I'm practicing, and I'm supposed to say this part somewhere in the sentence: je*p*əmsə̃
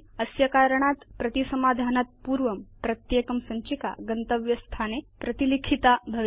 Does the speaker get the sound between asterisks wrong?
yes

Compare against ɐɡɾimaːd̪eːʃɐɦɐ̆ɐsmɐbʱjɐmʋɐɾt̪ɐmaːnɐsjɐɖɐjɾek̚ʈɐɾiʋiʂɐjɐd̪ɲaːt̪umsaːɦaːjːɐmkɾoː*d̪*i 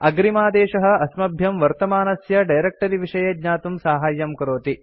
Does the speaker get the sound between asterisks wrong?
yes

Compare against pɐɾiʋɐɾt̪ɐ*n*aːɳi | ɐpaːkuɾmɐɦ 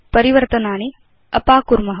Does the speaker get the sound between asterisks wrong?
no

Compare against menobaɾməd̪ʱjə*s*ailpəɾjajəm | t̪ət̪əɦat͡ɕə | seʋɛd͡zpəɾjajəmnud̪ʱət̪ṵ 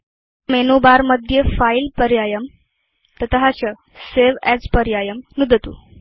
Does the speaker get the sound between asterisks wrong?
yes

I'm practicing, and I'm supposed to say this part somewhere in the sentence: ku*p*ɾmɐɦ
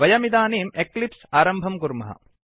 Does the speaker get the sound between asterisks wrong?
yes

